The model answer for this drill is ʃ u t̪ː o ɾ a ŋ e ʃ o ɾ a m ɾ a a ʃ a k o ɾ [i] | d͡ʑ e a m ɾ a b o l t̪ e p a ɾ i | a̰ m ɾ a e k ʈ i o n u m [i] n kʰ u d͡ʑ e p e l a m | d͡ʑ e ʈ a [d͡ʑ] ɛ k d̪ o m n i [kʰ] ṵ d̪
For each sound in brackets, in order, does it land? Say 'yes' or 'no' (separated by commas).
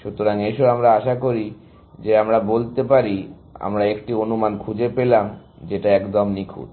yes, no, no, yes